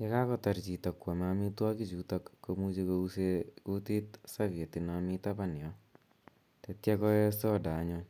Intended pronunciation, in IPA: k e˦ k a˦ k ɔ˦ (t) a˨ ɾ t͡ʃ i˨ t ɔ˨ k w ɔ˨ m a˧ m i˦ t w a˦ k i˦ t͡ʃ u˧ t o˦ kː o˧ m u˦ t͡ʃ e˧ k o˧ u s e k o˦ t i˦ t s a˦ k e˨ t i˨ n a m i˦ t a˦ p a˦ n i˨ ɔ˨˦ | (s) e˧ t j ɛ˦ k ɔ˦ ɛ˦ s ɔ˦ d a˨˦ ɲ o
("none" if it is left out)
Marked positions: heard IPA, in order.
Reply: t, t

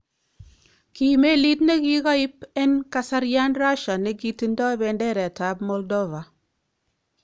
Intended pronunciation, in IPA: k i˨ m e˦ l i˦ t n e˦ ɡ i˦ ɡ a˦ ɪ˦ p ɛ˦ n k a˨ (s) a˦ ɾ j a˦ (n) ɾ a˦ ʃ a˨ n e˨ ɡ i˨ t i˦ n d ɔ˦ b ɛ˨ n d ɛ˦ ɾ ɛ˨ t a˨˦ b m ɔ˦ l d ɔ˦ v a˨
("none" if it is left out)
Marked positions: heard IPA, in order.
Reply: s, n

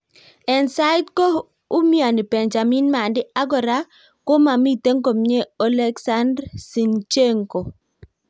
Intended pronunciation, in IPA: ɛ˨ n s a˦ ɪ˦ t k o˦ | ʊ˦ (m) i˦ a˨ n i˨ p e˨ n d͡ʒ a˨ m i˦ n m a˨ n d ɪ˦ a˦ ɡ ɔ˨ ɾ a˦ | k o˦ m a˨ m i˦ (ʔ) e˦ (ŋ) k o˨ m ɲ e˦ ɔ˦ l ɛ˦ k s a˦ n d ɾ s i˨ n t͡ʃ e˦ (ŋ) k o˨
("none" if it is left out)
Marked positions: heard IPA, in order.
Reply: m, t, ŋ, ŋ

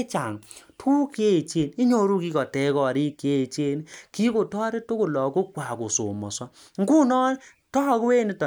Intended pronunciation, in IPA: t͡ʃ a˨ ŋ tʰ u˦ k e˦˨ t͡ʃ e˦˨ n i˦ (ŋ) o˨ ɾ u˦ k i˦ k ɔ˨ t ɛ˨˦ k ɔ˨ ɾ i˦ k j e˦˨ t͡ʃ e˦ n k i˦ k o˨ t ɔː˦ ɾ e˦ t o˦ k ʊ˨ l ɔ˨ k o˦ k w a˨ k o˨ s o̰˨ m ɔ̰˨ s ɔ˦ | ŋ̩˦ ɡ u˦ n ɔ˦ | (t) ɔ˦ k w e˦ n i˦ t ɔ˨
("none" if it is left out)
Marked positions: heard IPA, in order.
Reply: ɲ, t

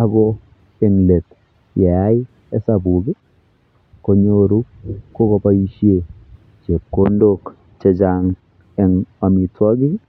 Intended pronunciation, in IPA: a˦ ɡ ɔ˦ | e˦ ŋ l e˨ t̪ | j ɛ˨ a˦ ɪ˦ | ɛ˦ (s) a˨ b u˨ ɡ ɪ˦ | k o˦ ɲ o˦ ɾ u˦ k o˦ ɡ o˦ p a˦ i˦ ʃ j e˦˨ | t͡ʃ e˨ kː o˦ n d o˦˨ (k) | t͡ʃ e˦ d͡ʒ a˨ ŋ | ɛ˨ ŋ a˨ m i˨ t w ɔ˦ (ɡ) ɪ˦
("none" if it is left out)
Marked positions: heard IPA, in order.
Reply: s, k, ɡ

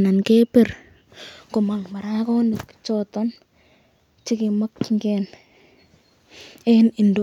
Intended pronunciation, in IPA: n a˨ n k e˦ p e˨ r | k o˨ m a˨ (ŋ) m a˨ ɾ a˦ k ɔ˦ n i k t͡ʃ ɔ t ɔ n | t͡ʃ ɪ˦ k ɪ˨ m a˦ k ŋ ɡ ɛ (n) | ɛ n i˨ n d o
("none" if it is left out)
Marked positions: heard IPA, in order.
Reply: ŋ, n

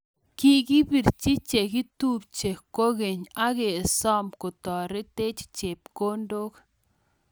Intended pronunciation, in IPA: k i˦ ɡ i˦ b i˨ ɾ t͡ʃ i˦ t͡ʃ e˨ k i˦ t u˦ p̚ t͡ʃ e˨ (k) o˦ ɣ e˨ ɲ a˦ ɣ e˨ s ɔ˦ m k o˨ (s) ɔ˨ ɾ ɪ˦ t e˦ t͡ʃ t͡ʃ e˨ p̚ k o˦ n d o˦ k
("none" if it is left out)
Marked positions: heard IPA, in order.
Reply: k, t

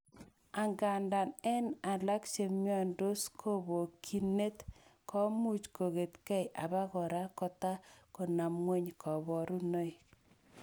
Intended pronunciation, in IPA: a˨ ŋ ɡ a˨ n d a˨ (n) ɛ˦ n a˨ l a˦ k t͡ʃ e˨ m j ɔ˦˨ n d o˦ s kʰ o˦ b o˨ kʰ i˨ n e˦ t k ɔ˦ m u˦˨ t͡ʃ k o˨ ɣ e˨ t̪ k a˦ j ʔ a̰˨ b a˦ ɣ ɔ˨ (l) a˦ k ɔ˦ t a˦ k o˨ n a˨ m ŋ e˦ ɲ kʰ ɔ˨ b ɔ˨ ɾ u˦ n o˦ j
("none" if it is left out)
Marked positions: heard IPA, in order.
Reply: n, ɾ

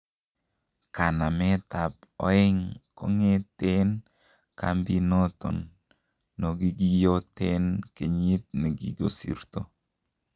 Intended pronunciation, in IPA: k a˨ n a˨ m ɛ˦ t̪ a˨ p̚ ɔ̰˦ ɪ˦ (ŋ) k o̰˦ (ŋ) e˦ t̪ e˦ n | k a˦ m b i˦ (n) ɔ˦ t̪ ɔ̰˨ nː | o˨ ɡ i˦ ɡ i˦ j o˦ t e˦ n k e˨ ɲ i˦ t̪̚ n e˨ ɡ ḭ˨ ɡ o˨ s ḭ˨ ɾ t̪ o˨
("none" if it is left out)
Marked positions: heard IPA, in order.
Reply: ŋ, ŋ, n

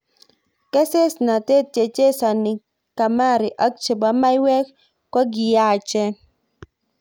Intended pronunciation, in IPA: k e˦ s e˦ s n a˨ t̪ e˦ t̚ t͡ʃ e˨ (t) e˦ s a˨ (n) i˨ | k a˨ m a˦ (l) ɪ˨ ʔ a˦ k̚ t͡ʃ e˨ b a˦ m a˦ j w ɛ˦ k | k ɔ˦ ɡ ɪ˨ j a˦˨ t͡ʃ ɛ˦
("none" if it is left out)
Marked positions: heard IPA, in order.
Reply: t͡ʃ, n, ɾ

